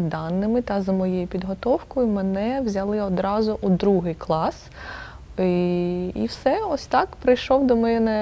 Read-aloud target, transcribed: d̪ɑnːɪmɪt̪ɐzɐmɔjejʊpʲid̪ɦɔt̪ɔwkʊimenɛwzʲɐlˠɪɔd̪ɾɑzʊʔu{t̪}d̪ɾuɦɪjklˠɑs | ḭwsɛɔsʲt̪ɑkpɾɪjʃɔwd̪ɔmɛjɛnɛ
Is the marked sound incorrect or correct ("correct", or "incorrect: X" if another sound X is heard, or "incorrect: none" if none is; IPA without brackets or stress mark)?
incorrect: none